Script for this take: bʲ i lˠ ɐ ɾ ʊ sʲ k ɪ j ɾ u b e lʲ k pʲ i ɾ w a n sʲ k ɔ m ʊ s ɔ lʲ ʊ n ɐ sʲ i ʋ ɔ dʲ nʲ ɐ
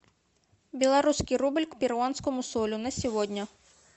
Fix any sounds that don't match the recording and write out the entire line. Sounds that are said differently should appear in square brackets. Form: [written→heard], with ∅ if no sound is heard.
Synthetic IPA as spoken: bʲ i lˠ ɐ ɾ [ʊ→u] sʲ k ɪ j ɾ u b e lʲ k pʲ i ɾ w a n sʲ k ɔ m ʊ s ɔ lʲ ʊ n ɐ sʲ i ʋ ɔ dʲ nʲ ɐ